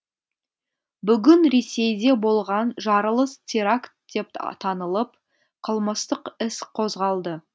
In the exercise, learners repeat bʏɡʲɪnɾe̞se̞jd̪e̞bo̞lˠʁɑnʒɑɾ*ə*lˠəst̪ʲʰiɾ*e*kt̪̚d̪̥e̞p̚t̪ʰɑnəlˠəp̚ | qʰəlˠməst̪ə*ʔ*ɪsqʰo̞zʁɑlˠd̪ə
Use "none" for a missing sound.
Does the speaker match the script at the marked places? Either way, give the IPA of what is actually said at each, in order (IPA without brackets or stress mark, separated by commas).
ə, a, q